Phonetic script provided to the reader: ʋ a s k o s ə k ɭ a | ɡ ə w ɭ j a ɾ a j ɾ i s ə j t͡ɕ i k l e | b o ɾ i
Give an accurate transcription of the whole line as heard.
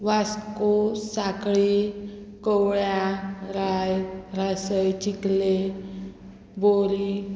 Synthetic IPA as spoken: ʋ a s k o s a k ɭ i | k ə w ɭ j a ɾ a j ɾ a s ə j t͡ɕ i k l e | b o ɾ i

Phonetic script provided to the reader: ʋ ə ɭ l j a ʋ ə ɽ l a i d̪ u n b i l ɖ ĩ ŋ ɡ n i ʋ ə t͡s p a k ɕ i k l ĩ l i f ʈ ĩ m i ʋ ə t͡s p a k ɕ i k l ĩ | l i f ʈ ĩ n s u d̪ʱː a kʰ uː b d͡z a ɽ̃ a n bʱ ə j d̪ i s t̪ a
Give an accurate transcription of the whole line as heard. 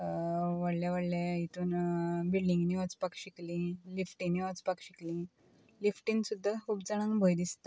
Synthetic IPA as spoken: ʋ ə ɽ l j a ʋ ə ɽ l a i t̪ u n b i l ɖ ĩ ŋ ɡ n i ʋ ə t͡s p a k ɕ i k l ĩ l i f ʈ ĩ n i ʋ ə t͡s p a k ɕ i k l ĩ | l i f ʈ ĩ n s u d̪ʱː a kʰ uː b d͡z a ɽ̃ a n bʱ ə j d̪ i s t̪ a

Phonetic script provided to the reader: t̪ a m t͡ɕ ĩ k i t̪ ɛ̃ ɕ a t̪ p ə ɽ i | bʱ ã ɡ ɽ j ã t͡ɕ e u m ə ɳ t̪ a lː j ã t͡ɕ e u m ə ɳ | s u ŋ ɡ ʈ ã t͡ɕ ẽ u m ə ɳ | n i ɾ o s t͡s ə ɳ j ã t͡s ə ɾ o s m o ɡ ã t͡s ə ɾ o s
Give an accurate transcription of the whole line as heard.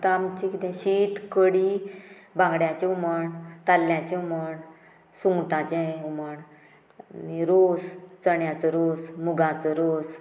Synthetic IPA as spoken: t̪ a m t͡ɕ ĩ k i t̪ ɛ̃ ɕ i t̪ k ə ɽ i | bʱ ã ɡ ɽ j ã t͡ɕ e u m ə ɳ t̪ a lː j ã t͡ɕ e u m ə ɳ | s u ŋ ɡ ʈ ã t͡ɕ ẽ u m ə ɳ | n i ɾ o s t͡s ə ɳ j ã t͡s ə ɾ o s m u ɡ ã t͡s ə ɾ o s

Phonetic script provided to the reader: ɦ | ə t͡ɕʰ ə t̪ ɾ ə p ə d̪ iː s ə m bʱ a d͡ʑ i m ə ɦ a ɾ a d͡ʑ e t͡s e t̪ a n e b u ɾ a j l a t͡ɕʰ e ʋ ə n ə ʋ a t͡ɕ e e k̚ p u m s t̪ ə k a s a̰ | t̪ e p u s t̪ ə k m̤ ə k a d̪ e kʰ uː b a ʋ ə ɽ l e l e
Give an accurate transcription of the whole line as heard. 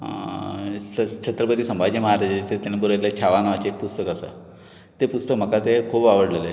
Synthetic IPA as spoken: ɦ | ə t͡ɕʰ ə t̪ ɾ ə p ə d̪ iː s ə m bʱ a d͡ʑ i m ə ɦ a ɾ a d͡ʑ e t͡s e t̪ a n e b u ɾ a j l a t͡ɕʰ a ʋ a n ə ʋ a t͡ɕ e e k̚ p u s t̪ ə k a s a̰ | t̪ e p u s t̪ ə k m̤ ə k a t̪ e kʰ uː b a ʋ ə ɽ l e l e

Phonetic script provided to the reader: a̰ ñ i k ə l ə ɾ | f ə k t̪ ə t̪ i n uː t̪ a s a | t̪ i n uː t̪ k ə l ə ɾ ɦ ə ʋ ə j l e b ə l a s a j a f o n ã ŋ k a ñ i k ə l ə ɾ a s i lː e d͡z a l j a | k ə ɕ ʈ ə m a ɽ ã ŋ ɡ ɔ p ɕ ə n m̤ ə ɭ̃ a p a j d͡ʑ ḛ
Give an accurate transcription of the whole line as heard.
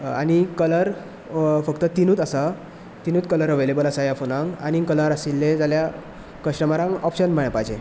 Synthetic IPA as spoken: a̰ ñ i k ə l ə ɾ | f ə k t̪ ə t̪ i n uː t̪ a s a | t̪ i n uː t̪ k ə l ə ɾ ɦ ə ʋ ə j l e b ə l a s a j a f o n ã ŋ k a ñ i k ə l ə ɾ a s i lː e d͡z a l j a | k ə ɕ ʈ ə m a ɾ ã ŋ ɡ ɔ p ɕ ə n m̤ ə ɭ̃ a p a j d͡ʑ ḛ

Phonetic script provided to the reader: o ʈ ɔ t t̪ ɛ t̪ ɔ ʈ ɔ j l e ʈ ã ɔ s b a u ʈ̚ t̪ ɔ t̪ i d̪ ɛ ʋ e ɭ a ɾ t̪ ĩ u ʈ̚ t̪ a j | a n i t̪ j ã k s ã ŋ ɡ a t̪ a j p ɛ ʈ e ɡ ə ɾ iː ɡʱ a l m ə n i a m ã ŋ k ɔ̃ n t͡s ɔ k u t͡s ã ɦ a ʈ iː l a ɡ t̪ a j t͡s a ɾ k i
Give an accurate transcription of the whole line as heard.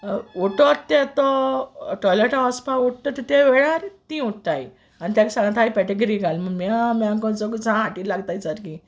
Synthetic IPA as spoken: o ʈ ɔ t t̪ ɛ t̪ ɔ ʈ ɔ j l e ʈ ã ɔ s p a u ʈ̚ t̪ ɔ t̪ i t̪ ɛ ʋ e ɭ a ɾ t̪ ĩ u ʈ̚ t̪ a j | a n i t̪ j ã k s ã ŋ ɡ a t̪ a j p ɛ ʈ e ɡ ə ɾ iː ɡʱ a l m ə m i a m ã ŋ k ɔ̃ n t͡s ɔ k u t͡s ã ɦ a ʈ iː l a ɡ t̪ a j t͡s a ɾ k i

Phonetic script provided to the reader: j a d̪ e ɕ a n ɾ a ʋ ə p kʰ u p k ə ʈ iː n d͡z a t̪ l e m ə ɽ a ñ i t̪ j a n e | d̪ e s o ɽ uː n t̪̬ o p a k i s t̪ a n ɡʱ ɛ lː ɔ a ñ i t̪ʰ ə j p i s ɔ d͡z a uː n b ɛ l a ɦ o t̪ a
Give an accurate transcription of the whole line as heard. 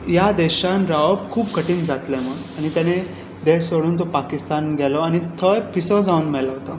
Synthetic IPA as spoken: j a d̪ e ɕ a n ɾ a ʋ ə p kʰ uː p k ə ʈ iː n d͡z a t̪ l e m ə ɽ a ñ i t̪ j a n e | d̪ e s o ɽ uː n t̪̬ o p a k i s t̪ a n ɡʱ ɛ l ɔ a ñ i t̪ʰ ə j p i s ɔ d͡z a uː n m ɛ l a ɦ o t̪ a

